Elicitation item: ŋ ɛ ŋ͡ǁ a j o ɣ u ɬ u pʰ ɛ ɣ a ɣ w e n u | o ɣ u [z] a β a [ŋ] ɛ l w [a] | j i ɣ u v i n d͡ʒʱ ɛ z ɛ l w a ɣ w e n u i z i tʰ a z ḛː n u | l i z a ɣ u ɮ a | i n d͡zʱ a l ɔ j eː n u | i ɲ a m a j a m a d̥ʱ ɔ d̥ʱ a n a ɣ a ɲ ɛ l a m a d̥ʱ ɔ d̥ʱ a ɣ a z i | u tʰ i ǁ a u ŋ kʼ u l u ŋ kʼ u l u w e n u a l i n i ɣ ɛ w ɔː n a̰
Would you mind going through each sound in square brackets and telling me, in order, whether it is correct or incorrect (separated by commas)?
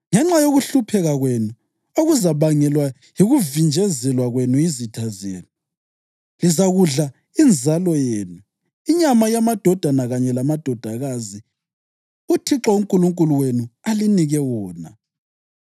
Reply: correct, correct, correct